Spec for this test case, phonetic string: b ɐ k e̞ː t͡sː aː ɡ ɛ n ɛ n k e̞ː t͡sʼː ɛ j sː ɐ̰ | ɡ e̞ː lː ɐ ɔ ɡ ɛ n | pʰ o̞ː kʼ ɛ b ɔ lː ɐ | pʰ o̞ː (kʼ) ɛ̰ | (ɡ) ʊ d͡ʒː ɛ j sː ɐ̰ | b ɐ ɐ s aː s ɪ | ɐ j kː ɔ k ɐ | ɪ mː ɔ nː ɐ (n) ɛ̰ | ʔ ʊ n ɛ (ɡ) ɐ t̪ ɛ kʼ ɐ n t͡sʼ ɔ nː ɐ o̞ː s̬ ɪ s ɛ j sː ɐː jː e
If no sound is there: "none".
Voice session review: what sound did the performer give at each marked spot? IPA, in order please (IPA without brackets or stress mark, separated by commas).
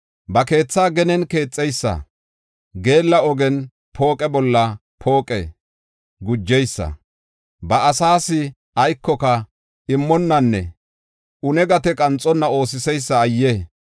kʼ, ɡ, nː, ɡ